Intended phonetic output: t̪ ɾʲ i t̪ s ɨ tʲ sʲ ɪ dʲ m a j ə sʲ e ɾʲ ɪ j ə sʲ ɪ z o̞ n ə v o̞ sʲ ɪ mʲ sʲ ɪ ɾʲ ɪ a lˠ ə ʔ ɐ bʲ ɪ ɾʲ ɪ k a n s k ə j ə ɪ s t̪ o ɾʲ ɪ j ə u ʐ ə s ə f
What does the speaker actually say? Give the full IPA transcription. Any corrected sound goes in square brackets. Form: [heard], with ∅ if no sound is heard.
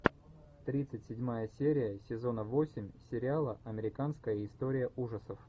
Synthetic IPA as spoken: t̪ ɾʲ i t̪ s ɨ tʲ sʲ ɪ dʲ m a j ə sʲ e ɾʲ ɪ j ə sʲ ɪ z o̞ n ə v o̞ sʲ ɪ mʲ sʲ ɪ ɾʲ ɪ a lˠ ə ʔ ɐ [mʲ] ɪ ɾʲ ɪ k a n s k ə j ə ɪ s t̪ o ɾʲ ɪ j ə u ʐ ə s ə f